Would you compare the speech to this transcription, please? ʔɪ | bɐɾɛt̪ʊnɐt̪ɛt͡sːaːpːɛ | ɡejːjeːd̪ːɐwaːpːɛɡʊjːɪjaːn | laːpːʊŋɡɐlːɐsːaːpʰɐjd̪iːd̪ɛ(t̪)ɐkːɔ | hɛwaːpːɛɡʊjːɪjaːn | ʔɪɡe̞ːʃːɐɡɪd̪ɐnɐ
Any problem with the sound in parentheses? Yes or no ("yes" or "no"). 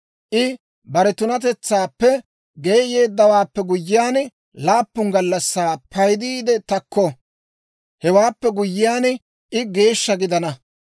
no